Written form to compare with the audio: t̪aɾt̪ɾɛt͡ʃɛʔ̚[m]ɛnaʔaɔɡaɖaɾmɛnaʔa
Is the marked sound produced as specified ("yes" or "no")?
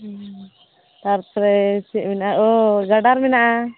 yes